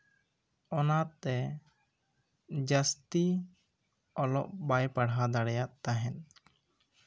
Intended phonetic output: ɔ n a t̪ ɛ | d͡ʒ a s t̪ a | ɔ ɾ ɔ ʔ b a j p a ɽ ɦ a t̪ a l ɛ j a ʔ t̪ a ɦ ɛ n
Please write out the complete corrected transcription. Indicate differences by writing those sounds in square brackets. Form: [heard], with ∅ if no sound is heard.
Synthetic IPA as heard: ɔ n a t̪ ɛ | d͡ʒ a s t̪ [i] | ɔ [l] ɔ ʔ b a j p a ɽ ɦ a [d̪] a [ɽ] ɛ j a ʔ t̪ a ɦ ɛ n